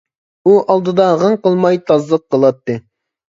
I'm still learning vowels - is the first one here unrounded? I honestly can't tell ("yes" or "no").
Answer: no